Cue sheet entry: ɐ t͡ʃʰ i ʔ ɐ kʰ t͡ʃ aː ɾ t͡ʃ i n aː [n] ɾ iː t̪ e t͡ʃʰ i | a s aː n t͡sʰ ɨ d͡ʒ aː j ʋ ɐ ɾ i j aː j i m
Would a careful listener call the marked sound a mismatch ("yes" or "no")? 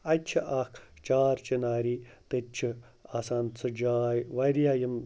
yes